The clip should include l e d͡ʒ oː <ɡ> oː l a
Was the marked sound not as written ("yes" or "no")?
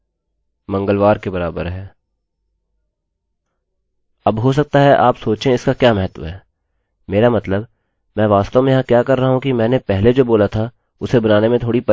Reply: yes